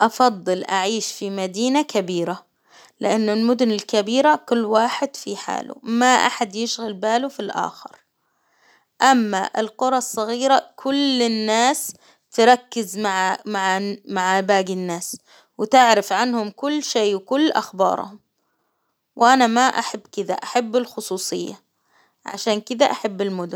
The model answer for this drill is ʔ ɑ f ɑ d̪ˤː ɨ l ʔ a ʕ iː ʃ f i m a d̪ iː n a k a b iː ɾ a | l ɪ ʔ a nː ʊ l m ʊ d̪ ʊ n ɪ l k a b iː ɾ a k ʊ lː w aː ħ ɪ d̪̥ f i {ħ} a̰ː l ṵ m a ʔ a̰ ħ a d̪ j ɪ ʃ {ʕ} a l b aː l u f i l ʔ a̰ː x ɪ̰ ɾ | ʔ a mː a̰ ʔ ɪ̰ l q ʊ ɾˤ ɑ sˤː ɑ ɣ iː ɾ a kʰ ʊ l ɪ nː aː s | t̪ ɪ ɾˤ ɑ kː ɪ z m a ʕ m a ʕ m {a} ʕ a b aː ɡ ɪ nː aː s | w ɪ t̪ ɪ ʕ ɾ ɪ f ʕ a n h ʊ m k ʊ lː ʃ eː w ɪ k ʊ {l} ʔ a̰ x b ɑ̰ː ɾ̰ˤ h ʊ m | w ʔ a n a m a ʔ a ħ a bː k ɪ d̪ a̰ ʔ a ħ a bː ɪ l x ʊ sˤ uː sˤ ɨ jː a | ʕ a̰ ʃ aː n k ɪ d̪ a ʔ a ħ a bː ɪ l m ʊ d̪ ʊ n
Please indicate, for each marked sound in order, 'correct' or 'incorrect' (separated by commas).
correct, incorrect, correct, incorrect